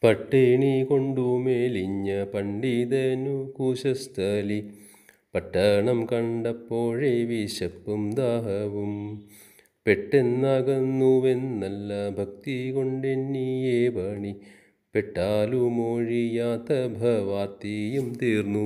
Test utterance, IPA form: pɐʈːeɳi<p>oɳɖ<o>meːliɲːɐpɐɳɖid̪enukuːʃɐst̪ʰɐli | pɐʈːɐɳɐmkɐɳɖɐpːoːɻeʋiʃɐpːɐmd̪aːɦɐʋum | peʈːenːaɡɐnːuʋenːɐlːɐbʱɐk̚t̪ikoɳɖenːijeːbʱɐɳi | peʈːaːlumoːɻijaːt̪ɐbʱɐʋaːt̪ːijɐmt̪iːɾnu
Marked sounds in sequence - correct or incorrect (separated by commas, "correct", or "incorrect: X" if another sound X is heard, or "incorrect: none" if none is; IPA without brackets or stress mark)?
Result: incorrect: k, incorrect: u